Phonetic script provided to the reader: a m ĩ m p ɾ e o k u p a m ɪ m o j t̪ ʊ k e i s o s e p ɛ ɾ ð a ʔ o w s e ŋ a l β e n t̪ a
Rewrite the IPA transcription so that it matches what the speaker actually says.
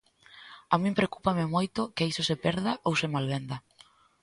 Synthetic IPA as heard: a m ĩ m p ɾ e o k u p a m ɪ m o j t̪ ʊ k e i s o s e p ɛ ɾ ð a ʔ o w s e m a l β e n d̪ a